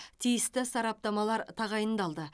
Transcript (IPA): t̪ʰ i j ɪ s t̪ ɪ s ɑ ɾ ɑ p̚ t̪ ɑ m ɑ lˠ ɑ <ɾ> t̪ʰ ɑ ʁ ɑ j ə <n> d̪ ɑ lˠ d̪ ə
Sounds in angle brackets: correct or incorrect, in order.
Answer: correct, correct

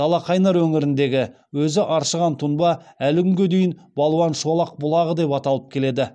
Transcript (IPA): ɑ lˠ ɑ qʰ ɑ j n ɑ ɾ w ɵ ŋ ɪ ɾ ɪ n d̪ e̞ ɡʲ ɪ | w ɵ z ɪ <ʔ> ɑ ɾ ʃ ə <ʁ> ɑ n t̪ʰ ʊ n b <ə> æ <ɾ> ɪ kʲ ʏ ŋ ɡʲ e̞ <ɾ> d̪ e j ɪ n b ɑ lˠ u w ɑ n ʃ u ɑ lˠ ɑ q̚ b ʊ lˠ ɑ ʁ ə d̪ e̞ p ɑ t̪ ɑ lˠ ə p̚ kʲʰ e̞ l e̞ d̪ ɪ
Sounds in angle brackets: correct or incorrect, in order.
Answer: correct, correct, incorrect, incorrect, incorrect

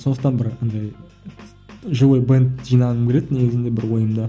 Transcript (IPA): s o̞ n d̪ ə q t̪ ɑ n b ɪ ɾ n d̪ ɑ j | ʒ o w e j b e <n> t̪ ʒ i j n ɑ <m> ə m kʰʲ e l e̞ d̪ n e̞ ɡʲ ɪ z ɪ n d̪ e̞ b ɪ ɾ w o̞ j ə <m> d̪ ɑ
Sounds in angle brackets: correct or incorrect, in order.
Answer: correct, incorrect, correct

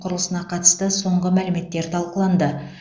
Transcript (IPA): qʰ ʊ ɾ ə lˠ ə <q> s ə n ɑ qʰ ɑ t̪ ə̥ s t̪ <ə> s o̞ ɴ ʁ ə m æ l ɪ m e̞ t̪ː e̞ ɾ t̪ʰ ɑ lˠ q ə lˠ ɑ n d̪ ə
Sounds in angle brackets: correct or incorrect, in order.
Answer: incorrect, correct

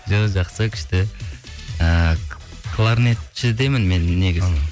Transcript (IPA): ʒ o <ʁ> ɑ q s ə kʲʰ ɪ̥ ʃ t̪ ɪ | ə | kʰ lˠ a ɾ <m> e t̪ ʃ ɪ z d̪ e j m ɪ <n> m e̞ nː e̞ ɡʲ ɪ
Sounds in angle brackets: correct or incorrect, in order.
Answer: incorrect, incorrect, correct

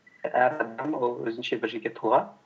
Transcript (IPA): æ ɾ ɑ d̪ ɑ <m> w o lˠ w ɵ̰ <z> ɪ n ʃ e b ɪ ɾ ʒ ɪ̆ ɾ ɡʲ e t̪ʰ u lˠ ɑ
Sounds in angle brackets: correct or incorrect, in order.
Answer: correct, correct

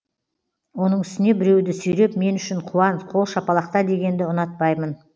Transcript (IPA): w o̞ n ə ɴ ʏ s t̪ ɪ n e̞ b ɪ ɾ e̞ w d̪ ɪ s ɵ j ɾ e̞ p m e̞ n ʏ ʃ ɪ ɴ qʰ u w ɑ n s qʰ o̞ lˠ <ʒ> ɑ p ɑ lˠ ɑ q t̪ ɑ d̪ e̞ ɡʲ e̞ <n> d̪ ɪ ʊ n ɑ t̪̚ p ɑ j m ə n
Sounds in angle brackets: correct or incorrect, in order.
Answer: incorrect, correct

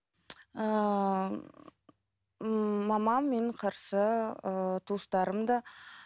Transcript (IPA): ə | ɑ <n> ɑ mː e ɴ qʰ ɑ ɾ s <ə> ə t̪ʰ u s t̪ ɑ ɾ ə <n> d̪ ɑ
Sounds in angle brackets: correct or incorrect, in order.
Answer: incorrect, correct, incorrect

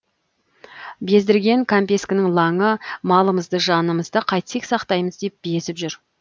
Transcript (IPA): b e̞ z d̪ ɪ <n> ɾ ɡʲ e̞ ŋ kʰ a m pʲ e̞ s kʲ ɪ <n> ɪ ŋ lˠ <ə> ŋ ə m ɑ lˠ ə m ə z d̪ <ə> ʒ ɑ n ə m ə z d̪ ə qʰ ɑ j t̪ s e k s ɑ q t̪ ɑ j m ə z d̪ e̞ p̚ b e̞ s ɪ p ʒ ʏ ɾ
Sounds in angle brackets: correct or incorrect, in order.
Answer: incorrect, correct, incorrect, correct

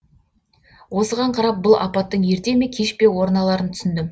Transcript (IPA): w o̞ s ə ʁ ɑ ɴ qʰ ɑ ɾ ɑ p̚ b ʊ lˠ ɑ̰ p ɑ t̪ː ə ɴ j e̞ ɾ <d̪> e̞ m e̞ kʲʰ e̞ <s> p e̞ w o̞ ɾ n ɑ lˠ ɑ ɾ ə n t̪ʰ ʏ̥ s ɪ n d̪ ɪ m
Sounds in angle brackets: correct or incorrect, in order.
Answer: incorrect, incorrect

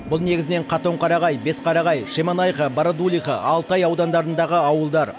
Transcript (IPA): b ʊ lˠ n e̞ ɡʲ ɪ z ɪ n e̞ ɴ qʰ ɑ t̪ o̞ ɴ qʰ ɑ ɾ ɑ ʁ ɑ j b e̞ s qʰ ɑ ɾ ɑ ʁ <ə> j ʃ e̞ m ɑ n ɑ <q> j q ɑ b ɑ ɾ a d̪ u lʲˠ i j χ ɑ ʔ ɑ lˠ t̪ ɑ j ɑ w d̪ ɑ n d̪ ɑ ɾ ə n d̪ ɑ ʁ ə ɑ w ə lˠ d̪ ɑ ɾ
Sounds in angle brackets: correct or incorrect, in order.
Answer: incorrect, incorrect

